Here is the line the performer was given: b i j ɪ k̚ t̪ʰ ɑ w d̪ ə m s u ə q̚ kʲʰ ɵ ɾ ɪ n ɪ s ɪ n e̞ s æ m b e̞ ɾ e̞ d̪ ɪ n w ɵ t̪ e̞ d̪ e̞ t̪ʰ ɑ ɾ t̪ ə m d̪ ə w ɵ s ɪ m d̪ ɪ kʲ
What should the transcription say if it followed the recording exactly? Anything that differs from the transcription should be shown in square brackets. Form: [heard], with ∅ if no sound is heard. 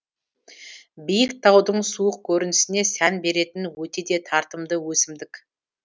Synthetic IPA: b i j ɪ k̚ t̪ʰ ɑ w d̪ ə [ɴ] s u ə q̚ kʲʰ ɵ ɾ ɪ n ɪ s ɪ n e̞ s æ [n] b e̞ ɾ e̞ [t̪] ɪ n w ɵ t̪ e̞ d̪ e̞ t̪ʰ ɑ ɾ t̪ ə m d̪ ə w ɵ s ɪ m d̪ ɪ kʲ